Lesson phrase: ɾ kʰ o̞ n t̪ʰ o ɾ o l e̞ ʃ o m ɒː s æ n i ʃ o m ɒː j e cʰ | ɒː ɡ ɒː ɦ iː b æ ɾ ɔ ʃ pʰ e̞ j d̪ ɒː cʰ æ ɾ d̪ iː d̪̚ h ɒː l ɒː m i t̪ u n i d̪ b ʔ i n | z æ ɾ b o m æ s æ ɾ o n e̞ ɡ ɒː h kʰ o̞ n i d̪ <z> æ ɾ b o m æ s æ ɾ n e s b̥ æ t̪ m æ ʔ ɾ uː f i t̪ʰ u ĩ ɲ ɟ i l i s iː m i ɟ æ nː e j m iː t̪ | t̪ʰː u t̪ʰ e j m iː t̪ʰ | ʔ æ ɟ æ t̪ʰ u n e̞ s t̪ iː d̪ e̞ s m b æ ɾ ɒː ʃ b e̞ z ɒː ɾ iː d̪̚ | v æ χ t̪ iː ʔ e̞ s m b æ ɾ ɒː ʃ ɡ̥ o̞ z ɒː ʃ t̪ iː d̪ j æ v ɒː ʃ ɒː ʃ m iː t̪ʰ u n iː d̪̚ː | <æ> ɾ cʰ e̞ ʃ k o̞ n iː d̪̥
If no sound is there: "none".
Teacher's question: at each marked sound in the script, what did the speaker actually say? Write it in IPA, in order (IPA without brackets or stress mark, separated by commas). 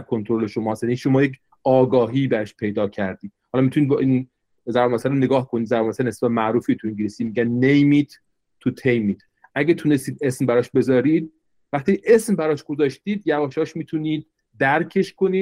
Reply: z, æ